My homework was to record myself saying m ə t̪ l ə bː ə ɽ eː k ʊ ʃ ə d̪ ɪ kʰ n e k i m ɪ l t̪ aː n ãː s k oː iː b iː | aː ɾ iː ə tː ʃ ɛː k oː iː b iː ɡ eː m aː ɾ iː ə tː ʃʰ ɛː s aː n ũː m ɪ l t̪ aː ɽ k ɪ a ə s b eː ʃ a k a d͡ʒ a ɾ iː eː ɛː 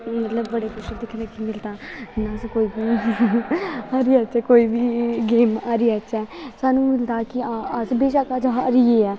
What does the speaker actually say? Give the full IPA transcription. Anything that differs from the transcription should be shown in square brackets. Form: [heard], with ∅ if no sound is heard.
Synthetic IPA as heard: m ə t̪ l ə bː ə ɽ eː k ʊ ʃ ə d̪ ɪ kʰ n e k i m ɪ l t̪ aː n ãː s k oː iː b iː | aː ɾ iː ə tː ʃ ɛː k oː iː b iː ɡ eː m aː ɾ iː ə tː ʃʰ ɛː s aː n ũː m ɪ l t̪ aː [∅] k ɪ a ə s b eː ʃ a k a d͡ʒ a ɾ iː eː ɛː

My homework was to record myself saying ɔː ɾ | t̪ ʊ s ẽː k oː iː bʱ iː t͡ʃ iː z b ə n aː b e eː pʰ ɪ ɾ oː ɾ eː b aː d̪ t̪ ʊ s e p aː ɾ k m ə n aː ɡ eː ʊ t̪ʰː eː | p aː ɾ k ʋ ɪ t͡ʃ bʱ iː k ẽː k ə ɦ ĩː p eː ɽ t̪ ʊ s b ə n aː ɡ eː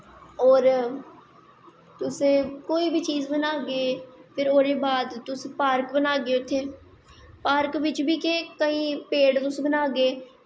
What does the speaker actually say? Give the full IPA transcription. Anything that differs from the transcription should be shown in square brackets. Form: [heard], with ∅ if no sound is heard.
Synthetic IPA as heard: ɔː ɾ | t̪ ʊ s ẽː k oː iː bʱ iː t͡ʃ iː z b ə n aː [ɡ] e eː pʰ ɪ ɾ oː ɾ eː b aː d̪ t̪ ʊ s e p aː ɾ k [b] ə n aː ɡ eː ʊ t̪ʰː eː | p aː ɾ k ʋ ɪ t͡ʃ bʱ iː k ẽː k ə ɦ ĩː p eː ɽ t̪ ʊ s b ə n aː ɡ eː

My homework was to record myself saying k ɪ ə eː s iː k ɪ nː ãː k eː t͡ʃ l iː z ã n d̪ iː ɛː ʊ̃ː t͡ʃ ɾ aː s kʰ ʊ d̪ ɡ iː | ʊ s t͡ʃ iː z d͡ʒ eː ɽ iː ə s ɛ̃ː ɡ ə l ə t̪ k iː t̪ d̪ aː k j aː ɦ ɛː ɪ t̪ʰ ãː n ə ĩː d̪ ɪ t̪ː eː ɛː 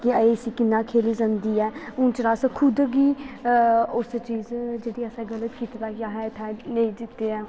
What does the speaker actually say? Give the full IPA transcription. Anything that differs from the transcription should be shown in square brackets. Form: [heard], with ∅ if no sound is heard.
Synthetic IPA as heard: k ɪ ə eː s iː k ɪ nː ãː [kʰ] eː [∅] l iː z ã n d̪ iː ɛː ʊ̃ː t͡ʃ ɾ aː s kʰ ʊ d̪ ɡ iː | ʊ s t͡ʃ iː z d͡ʒ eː ɽ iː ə s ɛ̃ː ɡ ə l ə t̪ k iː t̪ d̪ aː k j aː ɦ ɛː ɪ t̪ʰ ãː n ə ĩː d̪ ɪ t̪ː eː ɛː

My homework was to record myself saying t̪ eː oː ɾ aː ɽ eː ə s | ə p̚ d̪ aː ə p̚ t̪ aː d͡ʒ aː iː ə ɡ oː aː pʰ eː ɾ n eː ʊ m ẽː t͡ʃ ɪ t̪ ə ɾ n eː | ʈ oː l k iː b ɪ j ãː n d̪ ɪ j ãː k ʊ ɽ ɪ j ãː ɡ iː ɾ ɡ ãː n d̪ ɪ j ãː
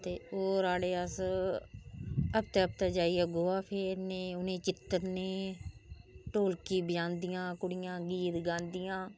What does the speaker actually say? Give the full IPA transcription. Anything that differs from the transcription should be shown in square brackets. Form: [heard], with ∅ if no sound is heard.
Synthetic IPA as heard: t̪ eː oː ɾ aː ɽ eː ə s | ə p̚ [t̪] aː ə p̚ t̪ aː d͡ʒ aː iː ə ɡ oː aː pʰ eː ɾ n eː ʊ [n] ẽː t͡ʃ ɪ t̪ ə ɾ n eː | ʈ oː l k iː b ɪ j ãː n d̪ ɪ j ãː k ʊ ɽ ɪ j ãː ɡ iː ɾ ɡ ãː n d̪ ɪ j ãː

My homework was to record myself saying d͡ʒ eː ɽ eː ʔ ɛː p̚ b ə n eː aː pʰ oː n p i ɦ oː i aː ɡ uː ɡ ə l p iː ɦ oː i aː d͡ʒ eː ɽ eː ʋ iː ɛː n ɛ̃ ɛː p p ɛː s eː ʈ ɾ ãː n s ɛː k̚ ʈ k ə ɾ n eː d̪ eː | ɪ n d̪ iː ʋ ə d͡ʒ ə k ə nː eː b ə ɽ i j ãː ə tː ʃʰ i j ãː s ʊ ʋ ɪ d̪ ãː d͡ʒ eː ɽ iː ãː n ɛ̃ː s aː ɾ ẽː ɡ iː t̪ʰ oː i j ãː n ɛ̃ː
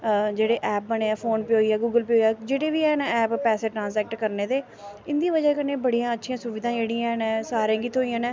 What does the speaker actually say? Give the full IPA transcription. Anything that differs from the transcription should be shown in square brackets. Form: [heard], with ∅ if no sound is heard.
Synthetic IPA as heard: d͡ʒ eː ɽ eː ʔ ɛː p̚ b ə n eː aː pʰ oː n p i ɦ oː i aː ɡ uː ɡ ə l p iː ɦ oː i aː d͡ʒ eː ɽ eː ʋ iː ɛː n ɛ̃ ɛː p p ɛː s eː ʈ ɾ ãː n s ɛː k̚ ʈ k ə ɾ n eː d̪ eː | ɪ n d̪ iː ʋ ə d͡ʒ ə k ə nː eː b ə ɽ i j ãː ə tː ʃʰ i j ãː s ʊ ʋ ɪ d̪ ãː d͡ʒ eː ɽ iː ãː n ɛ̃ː s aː ɾ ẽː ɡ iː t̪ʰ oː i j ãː n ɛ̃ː

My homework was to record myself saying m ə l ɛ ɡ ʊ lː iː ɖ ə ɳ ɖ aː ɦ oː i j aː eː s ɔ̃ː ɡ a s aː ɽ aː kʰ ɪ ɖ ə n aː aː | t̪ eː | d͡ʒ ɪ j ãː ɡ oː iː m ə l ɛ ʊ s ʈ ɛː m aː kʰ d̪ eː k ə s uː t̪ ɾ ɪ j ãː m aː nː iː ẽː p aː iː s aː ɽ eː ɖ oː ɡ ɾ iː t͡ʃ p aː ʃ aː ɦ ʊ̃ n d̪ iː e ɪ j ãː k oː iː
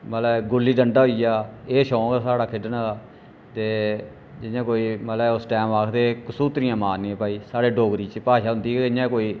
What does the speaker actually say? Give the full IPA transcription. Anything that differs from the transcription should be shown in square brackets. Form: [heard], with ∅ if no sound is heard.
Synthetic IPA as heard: m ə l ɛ ɡ ʊ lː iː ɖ ə ɳ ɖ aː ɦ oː i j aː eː [ʃ] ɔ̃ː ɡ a s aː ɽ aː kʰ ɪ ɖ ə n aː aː | t̪ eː | d͡ʒ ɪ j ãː [k] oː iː m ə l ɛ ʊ s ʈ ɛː m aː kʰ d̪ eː k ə s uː t̪ ɾ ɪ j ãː m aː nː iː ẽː p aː iː s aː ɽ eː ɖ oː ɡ ɾ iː t͡ʃ p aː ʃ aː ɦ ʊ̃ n d̪ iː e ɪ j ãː k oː iː

